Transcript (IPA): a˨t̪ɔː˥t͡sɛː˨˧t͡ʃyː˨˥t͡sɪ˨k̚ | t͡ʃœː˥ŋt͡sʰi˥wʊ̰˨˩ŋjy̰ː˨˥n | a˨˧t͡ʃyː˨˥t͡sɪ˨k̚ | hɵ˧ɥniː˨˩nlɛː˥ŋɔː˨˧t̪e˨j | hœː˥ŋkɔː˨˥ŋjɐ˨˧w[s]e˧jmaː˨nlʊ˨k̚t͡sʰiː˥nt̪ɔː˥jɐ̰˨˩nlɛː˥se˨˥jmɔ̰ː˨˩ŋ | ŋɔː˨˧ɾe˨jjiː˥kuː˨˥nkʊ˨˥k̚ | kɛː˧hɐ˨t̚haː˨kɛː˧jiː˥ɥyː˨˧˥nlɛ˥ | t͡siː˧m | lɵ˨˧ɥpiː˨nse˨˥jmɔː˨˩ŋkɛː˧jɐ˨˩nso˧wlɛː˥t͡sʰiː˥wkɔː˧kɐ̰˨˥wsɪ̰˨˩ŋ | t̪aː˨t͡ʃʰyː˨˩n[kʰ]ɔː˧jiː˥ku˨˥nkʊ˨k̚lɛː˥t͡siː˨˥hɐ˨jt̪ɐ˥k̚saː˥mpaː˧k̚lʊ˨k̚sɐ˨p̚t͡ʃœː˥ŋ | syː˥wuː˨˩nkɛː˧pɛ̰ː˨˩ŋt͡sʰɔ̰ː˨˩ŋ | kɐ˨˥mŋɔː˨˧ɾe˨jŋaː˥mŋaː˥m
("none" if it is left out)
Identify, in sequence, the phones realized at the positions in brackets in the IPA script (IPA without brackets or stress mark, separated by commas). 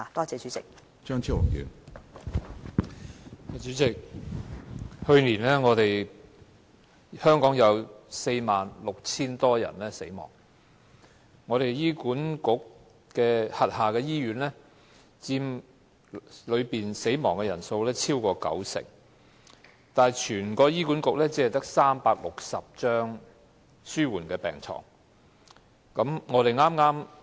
s, k